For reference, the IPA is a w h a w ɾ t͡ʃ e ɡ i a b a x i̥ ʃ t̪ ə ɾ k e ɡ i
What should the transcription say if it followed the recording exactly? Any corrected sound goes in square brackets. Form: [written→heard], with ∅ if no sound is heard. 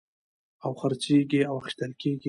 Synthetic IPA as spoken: a w [h→x] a [w→∅] ɾ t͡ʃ e ɡ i a [b→w] a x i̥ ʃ t̪ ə [ɾ→l] k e ɡ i